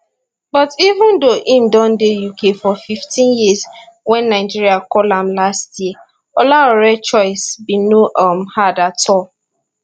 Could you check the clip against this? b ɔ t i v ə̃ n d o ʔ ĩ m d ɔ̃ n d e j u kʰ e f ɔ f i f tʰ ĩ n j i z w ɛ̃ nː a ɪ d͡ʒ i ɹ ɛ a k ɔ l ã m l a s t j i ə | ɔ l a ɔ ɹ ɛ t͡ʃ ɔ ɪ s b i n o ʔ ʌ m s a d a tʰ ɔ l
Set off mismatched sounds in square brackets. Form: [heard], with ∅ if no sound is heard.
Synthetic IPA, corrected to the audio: b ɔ t i v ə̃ n d o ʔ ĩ m d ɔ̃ n d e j u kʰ e f ɔ f i f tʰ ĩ n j i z w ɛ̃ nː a ɪ d͡ʒ i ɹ [i] a k ɔ l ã m l a s t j i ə | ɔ l a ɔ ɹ ɛ t͡ʃ ɔ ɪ s b i n o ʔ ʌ m [h] a d a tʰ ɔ l